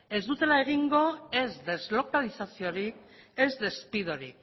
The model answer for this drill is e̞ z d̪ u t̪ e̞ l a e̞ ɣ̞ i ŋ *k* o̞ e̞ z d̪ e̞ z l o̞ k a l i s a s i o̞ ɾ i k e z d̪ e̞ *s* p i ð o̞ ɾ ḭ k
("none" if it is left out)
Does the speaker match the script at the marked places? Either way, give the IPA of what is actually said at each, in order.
ɡ, s

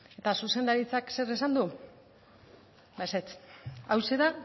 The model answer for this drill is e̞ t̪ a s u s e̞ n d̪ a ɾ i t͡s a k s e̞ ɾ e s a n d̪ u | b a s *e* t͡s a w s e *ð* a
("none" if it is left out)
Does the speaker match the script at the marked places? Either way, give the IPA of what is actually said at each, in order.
e, ð

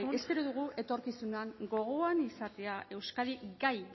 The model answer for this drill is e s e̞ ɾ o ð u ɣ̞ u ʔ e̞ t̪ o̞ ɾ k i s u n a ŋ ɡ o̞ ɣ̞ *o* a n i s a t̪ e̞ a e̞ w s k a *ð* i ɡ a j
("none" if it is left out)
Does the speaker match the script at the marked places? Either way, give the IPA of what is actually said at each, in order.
o, ð

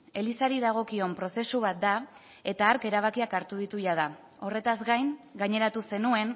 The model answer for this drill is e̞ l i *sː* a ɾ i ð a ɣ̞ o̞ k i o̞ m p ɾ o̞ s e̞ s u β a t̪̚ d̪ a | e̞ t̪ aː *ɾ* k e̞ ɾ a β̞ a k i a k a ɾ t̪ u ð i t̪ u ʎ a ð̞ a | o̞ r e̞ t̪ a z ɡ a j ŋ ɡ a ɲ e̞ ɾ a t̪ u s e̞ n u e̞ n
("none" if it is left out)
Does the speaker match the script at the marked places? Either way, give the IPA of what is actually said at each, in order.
s, ɾ

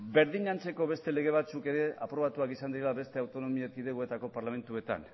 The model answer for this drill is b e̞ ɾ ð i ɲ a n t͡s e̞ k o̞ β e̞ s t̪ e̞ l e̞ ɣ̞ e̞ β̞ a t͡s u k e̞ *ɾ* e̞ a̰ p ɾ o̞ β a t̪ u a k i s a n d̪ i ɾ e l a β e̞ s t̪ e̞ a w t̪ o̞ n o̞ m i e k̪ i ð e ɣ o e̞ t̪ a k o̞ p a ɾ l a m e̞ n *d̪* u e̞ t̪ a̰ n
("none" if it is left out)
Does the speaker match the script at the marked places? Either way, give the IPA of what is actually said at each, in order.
ɾ, t̪

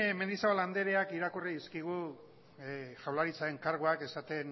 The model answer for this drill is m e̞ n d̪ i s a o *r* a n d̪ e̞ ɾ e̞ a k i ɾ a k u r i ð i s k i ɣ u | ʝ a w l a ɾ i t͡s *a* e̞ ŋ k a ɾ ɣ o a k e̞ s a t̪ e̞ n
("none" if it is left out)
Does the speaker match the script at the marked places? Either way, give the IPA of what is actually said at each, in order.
l, a

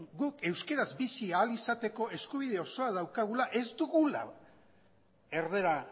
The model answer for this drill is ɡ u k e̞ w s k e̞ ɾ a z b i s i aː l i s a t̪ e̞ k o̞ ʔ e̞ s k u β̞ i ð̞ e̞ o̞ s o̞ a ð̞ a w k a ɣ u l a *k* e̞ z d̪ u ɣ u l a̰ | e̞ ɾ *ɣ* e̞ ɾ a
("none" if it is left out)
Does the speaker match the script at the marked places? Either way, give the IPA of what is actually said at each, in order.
ʔ, ð

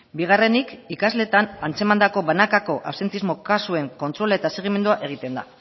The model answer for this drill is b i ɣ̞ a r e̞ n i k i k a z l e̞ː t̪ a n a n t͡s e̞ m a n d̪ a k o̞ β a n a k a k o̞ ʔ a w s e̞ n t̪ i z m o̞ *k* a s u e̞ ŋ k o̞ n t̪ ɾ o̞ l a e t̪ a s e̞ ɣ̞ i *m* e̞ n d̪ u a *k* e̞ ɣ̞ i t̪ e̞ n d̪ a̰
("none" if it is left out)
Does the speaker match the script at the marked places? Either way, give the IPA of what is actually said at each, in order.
k, m, ʔ

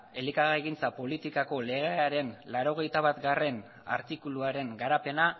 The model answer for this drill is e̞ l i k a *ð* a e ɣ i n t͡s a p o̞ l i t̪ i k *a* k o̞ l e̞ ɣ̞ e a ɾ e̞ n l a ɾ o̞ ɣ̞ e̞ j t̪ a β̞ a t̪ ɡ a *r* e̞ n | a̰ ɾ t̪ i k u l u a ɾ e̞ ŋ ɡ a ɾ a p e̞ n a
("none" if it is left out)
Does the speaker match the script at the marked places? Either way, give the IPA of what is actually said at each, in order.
ɣ, a, r

